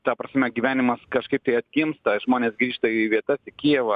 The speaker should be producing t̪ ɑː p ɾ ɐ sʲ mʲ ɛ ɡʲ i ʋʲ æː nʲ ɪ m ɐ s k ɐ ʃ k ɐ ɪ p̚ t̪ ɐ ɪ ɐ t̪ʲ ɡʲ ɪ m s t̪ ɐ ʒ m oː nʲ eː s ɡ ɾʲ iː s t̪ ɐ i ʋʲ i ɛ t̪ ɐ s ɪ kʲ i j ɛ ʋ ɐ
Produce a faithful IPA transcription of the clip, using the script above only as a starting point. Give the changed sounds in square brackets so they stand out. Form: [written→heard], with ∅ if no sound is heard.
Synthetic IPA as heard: t̪ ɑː p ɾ ɐ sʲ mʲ ɛ ɡʲ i ʋʲ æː nʲ ɪ m ɐ s k ɐ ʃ k ɐ ɪ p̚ t̪ ɐ ɪ ɐ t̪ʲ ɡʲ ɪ m s t̪ ɐ ʒ m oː nʲ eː s ɡ ɾʲ iː [s→ʃ] t̪ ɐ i ʋʲ i ɛ t̪ ɐ s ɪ kʲ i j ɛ ʋ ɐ